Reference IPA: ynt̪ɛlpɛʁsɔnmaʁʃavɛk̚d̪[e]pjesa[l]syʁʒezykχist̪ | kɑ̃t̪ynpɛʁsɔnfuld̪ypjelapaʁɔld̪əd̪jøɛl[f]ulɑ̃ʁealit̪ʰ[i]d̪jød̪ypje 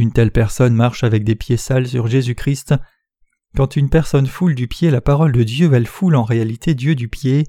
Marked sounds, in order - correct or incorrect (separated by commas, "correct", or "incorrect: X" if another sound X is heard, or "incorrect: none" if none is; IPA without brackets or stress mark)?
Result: correct, correct, correct, incorrect: e